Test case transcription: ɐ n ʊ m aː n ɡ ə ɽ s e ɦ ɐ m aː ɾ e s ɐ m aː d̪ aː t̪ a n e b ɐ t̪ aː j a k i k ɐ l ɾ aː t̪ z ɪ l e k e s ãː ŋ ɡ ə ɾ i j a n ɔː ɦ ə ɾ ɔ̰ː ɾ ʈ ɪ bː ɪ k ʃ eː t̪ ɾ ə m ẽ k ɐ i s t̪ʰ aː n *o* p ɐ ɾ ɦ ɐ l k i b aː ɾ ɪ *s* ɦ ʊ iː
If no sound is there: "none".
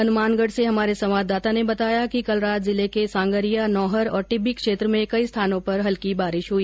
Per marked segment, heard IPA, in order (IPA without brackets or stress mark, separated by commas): õ, ʃ